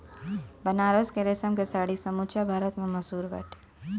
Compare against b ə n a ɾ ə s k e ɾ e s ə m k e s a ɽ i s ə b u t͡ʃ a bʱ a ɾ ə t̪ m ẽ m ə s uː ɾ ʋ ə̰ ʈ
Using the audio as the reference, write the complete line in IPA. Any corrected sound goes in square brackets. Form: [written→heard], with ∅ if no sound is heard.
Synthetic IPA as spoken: b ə n a ɾ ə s k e ɾ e s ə m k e s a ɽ i s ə [b→m] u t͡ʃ a bʱ a ɾ ə t̪ m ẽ m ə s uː ɾ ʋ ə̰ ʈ